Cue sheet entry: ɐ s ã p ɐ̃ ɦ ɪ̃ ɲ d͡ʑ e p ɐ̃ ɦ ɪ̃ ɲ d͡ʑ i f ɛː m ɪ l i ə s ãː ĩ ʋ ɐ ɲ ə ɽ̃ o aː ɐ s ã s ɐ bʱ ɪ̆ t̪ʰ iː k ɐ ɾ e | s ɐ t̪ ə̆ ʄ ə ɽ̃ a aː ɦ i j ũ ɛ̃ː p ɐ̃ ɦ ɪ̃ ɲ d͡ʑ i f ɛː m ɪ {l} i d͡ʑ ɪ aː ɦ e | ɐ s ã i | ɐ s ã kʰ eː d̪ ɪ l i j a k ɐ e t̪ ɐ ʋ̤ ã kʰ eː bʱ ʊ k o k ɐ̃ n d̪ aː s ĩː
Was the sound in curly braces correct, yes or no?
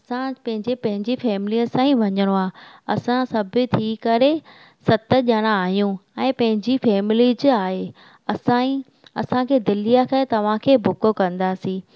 yes